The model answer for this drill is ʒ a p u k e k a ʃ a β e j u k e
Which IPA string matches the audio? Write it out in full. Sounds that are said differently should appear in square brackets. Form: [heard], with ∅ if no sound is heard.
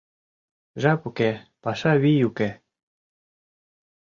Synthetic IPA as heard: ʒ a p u k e [p] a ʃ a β [i] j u k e